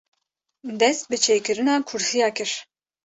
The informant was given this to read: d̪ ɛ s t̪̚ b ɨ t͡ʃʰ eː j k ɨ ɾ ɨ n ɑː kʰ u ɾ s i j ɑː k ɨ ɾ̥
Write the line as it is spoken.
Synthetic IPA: d̪ ɛ s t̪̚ b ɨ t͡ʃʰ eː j k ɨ ɾ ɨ n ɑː kʰ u ɾ s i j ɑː k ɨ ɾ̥